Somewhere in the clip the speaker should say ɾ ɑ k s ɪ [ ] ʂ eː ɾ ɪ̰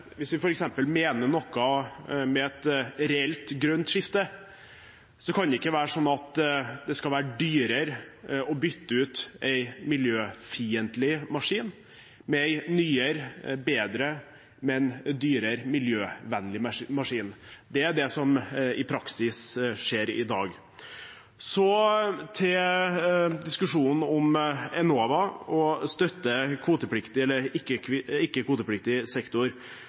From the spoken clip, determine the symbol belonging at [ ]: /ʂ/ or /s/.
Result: s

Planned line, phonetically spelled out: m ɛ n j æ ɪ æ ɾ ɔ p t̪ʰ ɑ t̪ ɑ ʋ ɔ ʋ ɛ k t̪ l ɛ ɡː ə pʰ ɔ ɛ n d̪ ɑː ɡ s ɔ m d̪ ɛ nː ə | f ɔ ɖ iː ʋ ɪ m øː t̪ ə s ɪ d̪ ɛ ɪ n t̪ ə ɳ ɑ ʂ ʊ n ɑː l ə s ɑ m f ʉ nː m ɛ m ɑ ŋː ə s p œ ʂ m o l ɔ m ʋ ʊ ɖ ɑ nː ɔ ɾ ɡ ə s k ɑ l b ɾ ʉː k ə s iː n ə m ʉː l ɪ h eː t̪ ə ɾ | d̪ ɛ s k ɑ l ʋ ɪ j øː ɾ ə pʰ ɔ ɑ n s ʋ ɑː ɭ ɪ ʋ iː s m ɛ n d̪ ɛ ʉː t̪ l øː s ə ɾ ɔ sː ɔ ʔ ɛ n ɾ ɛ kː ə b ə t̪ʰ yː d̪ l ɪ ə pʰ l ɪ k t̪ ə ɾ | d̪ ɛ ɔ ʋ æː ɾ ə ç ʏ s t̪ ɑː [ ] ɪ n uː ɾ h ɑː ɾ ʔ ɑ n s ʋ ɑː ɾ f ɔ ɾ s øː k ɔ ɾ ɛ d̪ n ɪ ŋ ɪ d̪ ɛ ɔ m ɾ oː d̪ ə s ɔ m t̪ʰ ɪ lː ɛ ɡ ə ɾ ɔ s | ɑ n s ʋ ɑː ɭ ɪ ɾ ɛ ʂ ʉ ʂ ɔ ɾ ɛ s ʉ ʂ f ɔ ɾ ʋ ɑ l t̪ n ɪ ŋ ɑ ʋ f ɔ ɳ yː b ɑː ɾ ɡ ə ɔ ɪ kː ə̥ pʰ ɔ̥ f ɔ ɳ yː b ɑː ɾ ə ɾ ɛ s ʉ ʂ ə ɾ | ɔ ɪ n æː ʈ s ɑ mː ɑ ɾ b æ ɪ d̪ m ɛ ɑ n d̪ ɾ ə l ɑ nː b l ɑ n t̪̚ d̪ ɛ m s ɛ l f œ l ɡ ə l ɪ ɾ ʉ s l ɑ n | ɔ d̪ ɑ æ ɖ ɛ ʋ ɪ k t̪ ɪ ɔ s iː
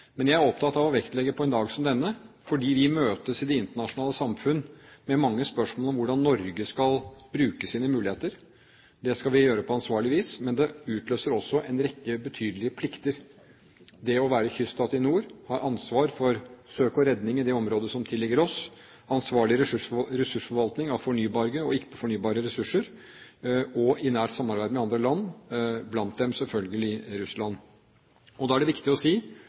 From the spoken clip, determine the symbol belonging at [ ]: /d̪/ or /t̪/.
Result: t̪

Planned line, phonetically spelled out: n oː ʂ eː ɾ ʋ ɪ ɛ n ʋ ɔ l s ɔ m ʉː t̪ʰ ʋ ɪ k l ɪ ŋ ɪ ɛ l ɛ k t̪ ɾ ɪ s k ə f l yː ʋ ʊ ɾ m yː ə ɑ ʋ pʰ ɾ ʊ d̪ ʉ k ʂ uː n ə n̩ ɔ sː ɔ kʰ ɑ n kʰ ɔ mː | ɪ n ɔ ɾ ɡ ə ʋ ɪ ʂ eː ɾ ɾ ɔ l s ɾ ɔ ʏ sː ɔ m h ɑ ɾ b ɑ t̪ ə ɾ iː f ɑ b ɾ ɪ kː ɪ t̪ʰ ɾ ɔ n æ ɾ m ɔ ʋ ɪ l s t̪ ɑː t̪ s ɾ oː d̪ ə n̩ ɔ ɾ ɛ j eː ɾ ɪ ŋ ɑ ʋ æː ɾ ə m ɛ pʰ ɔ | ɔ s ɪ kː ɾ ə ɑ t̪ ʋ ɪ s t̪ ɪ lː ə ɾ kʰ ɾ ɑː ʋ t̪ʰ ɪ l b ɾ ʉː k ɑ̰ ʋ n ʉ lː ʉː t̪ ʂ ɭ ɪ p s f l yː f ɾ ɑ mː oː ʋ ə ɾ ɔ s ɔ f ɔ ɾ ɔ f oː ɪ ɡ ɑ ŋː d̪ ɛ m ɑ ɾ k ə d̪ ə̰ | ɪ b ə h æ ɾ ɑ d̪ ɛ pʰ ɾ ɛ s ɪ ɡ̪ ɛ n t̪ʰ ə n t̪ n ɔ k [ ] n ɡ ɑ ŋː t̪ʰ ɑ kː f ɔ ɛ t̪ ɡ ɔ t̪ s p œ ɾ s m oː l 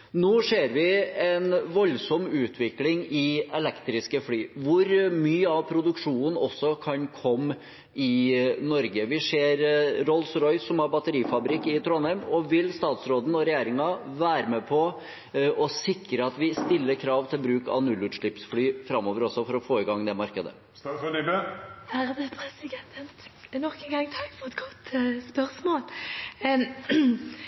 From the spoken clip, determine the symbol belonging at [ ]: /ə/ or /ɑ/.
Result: ə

